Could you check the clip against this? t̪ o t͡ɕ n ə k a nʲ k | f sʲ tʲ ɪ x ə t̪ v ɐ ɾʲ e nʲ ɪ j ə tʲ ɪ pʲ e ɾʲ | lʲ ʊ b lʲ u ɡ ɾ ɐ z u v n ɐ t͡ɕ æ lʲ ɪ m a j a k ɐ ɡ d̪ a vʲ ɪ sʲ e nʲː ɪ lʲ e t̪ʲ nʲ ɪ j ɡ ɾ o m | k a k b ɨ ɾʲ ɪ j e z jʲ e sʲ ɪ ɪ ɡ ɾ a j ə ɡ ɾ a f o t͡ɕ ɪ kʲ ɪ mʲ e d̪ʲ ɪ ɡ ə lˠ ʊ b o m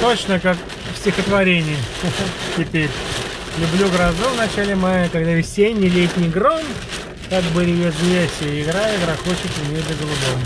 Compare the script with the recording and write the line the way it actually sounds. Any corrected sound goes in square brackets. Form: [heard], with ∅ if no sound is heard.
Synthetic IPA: t̪ o t͡ɕ n ə k a [∅] k | f sʲ tʲ ɪ x ə t̪ v ɐ ɾʲ e nʲ ɪ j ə tʲ ɪ pʲ e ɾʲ | lʲ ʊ b lʲ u ɡ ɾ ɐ z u v n ɐ t͡ɕ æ lʲ ɪ m a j [ə] k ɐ ɡ d̪ a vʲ ɪ sʲ e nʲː ɪ lʲ e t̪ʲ nʲ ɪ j ɡ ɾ o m | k a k b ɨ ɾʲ ɪ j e z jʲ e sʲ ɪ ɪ ɡ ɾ a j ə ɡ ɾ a [x] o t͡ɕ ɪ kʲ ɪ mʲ e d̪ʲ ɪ ɡ ə lˠ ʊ b o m